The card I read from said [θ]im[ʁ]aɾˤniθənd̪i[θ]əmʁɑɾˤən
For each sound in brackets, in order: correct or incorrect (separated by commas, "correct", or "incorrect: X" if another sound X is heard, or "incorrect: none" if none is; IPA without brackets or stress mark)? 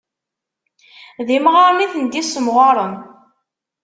incorrect: ð, correct, incorrect: s